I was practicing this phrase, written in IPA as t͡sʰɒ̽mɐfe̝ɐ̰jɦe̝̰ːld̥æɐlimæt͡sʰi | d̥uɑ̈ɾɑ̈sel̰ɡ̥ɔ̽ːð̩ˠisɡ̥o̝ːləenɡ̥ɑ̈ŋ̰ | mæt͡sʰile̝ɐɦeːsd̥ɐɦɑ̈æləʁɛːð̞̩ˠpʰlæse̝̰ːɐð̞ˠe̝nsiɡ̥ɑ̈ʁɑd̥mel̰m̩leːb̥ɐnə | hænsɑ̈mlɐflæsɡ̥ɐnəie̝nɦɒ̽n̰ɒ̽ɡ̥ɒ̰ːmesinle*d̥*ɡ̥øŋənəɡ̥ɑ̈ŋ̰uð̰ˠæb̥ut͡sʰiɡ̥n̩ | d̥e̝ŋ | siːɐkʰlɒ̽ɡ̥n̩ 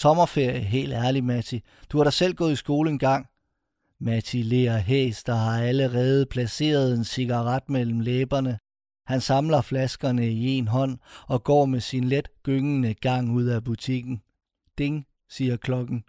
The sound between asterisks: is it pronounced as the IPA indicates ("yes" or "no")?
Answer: yes